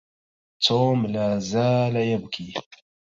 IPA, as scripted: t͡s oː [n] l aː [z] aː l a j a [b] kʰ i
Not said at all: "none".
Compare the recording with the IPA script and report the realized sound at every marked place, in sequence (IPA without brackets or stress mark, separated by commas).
m, z, b